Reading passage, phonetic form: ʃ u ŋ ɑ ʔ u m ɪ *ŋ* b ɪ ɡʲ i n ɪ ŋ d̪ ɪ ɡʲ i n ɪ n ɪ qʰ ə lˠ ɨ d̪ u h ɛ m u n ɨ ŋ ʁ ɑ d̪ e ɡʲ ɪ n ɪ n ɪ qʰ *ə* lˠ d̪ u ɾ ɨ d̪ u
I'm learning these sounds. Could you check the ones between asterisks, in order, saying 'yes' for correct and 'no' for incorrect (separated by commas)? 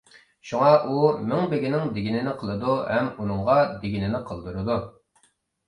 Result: yes, yes